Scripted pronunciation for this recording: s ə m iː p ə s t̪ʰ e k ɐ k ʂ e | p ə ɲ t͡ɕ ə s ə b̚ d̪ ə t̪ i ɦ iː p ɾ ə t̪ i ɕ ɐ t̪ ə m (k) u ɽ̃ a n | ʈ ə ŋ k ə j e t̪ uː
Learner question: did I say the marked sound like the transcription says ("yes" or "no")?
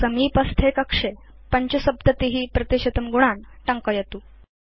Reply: no